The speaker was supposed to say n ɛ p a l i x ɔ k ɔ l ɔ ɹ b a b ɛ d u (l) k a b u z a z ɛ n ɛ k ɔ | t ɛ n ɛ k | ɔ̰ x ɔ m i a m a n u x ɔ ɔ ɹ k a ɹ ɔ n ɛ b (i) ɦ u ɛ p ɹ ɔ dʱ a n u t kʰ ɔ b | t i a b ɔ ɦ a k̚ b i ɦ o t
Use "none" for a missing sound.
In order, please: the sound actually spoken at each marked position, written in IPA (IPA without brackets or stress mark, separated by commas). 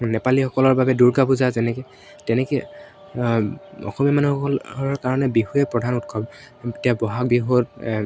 ɹ, i